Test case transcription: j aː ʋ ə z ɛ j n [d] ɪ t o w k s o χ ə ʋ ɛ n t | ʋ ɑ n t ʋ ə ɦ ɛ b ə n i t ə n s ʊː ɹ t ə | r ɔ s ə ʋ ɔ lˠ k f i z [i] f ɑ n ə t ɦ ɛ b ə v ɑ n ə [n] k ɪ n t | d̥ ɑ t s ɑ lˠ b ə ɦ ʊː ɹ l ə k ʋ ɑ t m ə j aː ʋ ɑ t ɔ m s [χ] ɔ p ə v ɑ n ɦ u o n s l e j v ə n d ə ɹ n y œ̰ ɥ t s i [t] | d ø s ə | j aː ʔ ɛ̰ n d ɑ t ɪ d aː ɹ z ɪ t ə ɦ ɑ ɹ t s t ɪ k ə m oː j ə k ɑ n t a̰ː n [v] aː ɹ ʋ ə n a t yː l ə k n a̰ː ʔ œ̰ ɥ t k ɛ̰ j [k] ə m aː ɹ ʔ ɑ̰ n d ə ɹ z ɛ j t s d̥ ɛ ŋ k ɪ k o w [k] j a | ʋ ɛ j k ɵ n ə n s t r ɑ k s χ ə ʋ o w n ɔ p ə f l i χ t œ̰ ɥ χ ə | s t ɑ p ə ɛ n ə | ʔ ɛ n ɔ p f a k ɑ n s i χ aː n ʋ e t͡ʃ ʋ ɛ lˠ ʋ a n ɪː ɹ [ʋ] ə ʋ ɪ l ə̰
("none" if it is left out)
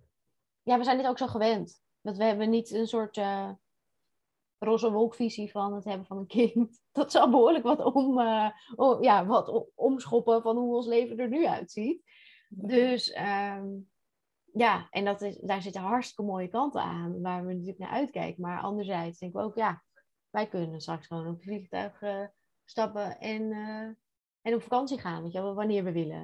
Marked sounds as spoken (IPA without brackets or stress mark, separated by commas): d, i, n, χ, t, ʋ, k, k, ʋ